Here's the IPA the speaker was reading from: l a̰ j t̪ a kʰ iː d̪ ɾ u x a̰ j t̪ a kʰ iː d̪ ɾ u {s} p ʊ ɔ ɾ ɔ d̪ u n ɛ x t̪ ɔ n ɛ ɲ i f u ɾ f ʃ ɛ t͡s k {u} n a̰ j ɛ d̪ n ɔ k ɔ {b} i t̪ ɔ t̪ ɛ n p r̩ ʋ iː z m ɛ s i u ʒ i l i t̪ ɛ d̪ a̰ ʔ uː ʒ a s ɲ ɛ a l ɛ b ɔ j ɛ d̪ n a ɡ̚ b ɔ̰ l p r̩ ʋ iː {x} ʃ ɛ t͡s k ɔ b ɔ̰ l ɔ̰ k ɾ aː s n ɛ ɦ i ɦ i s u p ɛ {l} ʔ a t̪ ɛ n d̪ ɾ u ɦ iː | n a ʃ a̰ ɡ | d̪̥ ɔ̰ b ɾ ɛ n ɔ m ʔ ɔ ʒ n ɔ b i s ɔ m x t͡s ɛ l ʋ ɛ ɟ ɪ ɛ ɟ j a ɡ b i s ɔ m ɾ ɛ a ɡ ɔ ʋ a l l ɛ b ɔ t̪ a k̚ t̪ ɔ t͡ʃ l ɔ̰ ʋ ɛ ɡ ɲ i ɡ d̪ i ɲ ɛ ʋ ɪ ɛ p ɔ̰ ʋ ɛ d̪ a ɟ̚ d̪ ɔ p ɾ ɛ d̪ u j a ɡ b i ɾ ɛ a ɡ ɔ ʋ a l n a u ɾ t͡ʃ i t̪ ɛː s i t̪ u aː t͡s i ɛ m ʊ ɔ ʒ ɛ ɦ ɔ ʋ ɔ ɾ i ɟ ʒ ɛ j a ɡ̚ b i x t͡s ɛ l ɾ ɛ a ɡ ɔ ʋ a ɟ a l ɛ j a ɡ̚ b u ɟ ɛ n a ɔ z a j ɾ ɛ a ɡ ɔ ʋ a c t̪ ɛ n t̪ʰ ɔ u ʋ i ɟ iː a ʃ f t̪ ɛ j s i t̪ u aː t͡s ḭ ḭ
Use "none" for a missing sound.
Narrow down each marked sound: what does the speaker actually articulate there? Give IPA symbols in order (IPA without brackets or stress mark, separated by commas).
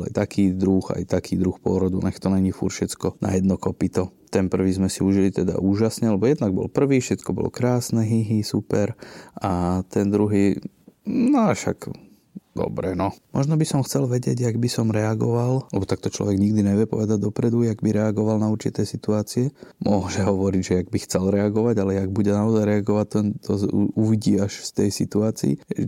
x, ɔ, p, f, ɾ